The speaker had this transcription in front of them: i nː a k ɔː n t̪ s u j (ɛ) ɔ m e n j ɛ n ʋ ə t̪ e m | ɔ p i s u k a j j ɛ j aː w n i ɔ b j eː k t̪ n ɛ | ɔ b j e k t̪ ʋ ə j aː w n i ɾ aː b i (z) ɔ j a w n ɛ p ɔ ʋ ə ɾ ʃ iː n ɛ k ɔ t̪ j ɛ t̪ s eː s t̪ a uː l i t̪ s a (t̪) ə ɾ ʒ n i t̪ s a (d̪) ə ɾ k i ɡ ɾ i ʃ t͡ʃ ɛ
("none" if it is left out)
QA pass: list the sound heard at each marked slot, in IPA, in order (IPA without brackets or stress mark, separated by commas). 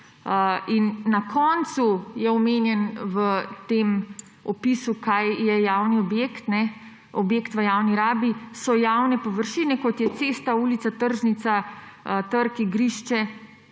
ɛ, s, t̪, t̪